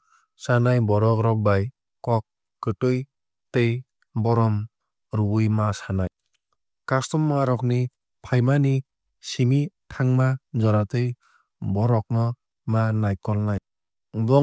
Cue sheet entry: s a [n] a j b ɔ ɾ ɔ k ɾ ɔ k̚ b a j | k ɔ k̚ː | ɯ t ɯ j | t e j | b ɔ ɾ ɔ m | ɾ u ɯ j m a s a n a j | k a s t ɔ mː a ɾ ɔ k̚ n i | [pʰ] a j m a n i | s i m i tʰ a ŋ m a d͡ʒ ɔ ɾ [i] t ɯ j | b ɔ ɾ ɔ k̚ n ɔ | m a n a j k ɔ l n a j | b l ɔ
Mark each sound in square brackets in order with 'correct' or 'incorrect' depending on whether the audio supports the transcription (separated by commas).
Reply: correct, correct, incorrect